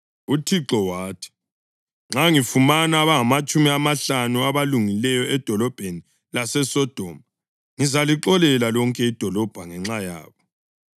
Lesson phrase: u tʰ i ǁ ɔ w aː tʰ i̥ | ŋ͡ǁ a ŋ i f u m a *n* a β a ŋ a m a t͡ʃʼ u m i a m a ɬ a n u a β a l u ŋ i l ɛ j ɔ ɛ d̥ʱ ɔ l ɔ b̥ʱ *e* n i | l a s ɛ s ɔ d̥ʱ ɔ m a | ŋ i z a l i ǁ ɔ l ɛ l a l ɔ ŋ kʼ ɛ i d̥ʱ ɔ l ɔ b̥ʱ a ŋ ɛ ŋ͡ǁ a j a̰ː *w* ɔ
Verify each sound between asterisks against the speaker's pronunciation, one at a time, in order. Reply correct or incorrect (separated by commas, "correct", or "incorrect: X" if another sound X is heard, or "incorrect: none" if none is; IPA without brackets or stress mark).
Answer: correct, correct, incorrect: β